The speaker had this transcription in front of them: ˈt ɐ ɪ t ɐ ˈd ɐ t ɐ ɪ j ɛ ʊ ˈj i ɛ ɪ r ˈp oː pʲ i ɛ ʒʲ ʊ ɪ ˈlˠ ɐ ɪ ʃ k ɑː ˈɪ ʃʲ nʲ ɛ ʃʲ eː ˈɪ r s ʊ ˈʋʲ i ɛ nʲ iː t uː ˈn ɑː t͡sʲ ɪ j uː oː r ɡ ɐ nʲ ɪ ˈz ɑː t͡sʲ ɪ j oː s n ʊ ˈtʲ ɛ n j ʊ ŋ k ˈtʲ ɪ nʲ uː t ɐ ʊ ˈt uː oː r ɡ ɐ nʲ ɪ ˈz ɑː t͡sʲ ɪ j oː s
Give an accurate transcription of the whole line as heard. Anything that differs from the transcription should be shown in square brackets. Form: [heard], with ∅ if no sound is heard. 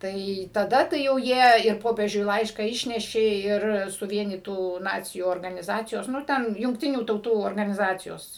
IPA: ˈt ɐ ɪ t ɐ ˈd ɐ t ɐ ɪ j ɛ ʊ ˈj i ɛ ɪ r ˈp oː pʲ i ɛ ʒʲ ʊ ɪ ˈlˠ ɐ ɪ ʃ k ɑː ˈɪ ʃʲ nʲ ɛ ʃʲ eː ˈɪ r s ʊ ˈʋʲ i ɛ nʲ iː t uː ˈn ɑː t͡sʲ ɪ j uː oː r ɡ ɐ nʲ ɪ ˈz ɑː t͡sʲ ɪ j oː s n ʊ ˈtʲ ɛ n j ʊ ŋ k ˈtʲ ɪ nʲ uː t ɐ ʊ ˈt uː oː r ɡ ɐ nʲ ɪ ˈz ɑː t͡sʲ ɪ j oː s